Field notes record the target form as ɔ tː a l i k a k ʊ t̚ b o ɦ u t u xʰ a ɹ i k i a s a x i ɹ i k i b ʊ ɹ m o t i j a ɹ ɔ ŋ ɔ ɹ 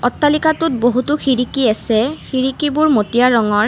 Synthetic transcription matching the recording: ɔ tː a l i k a t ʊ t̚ b o ɦ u t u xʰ i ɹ i k i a s ɛ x i ɹ i k i b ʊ ɹ m o t i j a ɹ ɔ ŋ ɔ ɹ

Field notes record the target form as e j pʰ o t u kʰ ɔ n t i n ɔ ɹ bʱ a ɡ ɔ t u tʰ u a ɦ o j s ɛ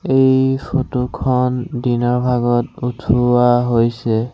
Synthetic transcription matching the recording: e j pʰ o t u kʰ ɔ n d i n ɔ ɹ bʱ a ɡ ɔ t u tʰ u a ɦ o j s ɛ

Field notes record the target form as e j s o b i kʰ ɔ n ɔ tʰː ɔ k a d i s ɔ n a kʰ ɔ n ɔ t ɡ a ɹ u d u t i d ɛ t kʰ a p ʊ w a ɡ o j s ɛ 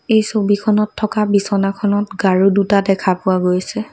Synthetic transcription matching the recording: e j s o b i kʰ ɔ n ɔ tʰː ɔ k a b i s ɔ n a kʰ ɔ n ɔ t ɡ a ɹ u d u t a d ɛ kʰ a p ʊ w a ɡ o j s ɛ

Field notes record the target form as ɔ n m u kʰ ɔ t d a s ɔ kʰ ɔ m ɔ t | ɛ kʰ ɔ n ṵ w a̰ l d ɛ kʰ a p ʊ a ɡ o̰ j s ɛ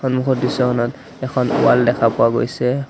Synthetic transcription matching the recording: ɔ n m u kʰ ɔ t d i s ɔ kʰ ɔ n ɔ t | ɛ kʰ ɔ n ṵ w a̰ l d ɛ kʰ a p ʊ a ɡ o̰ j s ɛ

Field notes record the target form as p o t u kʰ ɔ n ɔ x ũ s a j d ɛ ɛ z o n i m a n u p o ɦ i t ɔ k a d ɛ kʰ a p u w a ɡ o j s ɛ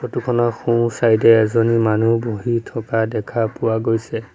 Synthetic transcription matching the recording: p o t u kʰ ɔ n ɔ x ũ s a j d ɛ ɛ z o n i m a n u b o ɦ i tʰ ɔ k a d ɛ kʰ a p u w a ɡ o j s ɛ

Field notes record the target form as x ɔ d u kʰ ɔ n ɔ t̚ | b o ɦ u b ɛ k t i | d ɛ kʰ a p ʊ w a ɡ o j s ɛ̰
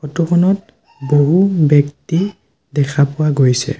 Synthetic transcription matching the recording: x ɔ t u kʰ ɔ n ɔ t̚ | b o ɦ u b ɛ k t i | d ɛ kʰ a p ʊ w a ɡ o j s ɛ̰

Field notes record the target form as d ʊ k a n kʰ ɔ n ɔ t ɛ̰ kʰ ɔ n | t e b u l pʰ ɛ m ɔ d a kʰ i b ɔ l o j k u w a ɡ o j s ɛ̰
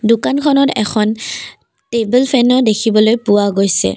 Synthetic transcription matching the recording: d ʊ k a n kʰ ɔ n ɔ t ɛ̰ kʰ ɔ n | t e b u l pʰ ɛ n ɔ d e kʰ i b ɔ l o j p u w a ɡ o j s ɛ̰

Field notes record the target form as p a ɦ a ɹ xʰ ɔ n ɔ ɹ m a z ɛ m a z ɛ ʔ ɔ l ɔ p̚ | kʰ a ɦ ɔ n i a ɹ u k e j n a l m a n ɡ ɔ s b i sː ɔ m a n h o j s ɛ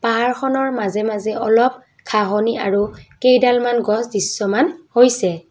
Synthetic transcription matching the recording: p a ɦ a ɹ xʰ ɔ n ɔ ɹ m a z ɛ m a z ɛ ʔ ɔ l ɔ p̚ | kʰ a ɦ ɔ n i a ɹ u k e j d a l m a n ɡ ɔ s d i sː ɔ m a n h o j s ɛ

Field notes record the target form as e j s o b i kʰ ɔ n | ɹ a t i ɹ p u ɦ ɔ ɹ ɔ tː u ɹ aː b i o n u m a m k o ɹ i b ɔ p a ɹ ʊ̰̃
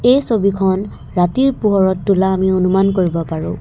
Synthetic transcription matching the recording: e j s o b i kʰ ɔ n | ɹ a t i ɹ p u ɦ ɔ ɹ ɔ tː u l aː m i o n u m a n k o ɹ i b ɔ p a ɹ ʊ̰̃

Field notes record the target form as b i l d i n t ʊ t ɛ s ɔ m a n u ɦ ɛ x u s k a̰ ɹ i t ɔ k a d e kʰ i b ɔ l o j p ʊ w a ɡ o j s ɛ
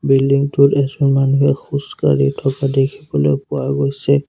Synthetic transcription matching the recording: b i l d i ŋ t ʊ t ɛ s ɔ m a n u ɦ ɛ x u s k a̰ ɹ i tʰ ɔ k a d e kʰ i b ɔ l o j p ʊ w a ɡ o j s ɛ

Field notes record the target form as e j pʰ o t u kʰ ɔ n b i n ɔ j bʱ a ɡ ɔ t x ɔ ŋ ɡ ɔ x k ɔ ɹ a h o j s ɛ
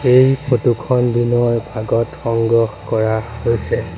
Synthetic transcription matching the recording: e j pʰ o t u kʰ ɔ n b i n ɔ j bʱ a ɡ ɔ t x ɔ ŋ ɡ ɔ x k ɔ ɹ a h o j s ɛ

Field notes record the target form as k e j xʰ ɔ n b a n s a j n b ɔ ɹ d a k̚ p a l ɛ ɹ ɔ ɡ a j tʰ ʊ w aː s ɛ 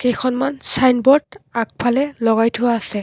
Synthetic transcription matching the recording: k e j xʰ ɔ n m a n s a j n b ɔ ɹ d a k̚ pʰ a l ɛ l ɔ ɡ a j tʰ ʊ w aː s ɛ

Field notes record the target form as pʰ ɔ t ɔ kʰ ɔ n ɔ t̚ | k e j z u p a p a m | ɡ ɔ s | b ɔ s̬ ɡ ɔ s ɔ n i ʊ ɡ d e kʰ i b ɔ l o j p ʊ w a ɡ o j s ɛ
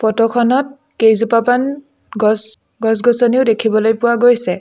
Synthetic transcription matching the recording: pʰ ɔ t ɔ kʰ ɔ n ɔ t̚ | k e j z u p a p a n | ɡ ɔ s | ɡ ɔ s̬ ɡ ɔ s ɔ n i ʊ d e kʰ i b ɔ l o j p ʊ w a ɡ o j s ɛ

